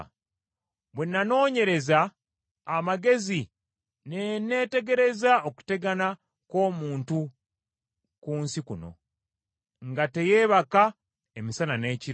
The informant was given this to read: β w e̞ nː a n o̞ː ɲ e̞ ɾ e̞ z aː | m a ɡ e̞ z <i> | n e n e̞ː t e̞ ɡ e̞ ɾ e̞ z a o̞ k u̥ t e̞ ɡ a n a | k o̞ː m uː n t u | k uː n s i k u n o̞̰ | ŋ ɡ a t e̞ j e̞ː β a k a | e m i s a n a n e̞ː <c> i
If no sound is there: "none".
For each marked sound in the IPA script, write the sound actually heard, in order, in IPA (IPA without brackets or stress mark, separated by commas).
i, c